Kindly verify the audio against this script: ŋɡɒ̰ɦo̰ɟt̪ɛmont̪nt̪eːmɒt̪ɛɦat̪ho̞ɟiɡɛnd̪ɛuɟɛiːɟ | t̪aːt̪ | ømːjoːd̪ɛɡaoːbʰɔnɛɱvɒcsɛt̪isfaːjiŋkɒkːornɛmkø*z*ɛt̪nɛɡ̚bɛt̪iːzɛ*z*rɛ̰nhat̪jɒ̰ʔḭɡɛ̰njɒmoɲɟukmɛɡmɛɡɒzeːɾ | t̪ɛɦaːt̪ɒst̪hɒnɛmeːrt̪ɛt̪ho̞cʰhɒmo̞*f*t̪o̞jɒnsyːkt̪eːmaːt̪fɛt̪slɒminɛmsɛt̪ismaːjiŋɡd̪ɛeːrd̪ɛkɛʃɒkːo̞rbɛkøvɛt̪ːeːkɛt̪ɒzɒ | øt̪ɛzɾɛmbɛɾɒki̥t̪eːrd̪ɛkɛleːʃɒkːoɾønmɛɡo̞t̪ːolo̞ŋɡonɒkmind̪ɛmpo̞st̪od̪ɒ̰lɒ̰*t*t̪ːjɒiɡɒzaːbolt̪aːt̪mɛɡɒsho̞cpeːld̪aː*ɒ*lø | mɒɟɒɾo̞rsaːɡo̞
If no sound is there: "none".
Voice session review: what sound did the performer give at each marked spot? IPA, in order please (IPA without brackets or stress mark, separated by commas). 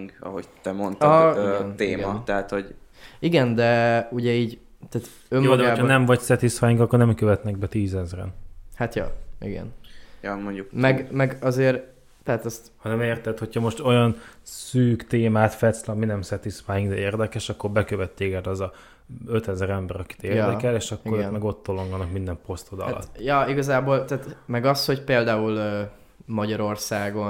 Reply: v, z, ʃ, t, u